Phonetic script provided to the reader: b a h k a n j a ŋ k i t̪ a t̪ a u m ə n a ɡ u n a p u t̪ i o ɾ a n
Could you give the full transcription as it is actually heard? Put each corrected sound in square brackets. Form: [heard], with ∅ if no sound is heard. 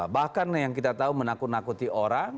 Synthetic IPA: b a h k a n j a ŋ k i t̪ a t̪ a u m ə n a [k] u n a [k] u t̪ i o ɾ a [ŋ]